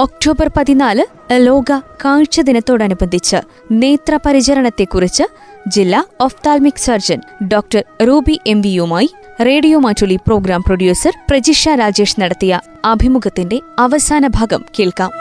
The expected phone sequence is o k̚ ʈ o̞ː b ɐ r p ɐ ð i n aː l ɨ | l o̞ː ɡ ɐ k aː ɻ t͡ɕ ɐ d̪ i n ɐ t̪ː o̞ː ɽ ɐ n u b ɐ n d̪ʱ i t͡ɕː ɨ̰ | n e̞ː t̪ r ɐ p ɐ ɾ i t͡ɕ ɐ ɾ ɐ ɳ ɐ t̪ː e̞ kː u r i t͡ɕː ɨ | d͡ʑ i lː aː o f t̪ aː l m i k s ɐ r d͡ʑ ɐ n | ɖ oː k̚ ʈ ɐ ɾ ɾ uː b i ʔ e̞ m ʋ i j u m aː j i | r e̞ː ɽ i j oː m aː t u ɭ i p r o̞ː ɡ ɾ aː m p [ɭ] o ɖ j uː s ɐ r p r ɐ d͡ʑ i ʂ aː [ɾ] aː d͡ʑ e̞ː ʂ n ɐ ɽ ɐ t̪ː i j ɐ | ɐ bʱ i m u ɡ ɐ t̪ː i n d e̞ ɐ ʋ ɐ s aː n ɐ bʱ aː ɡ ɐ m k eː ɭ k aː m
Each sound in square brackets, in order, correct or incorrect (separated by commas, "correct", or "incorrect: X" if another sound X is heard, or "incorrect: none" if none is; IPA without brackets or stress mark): incorrect: r, correct